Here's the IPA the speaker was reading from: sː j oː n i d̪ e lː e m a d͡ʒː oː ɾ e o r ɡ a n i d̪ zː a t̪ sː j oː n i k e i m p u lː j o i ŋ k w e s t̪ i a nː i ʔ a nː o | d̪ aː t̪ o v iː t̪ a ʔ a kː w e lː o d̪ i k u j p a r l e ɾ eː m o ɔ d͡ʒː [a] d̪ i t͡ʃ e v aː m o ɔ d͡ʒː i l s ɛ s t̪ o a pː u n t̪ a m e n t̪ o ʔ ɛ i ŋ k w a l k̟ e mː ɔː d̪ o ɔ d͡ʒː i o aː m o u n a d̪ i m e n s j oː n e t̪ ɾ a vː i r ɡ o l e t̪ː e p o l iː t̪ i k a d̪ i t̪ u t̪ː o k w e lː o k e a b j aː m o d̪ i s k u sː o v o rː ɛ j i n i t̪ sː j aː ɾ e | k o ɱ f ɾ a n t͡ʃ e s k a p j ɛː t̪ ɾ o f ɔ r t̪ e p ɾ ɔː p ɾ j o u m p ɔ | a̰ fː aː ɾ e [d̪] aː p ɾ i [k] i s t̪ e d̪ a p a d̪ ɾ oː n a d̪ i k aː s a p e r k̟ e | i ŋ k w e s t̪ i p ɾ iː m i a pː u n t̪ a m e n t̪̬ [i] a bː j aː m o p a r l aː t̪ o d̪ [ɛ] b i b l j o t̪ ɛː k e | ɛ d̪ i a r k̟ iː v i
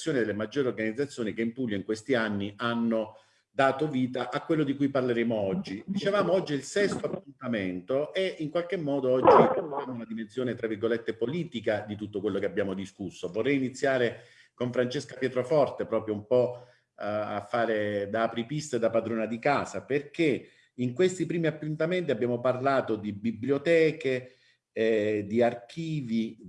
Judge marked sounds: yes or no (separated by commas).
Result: no, yes, no, yes, no